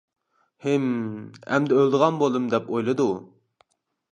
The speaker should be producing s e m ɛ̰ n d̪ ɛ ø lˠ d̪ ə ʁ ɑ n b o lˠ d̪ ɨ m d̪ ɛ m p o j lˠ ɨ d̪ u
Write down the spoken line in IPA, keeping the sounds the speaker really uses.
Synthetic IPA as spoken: h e m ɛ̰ m d̪ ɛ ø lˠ d̪ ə ʁ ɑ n b o lˠ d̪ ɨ m d̪ ɛ p o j lˠ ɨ d̪ u